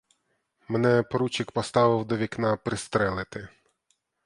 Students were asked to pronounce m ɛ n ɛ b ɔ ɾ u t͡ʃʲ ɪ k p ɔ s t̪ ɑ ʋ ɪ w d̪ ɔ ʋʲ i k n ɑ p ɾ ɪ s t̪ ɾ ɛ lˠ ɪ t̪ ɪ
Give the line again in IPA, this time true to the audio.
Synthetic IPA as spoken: m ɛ n ɛ p ɔ ɾ u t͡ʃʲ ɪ k p ɔ s t̪ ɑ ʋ ɪ w d̪ ɔ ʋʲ i k n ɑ p ɾ ɪ s t̪ ɾ ɛ lˠ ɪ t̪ ɪ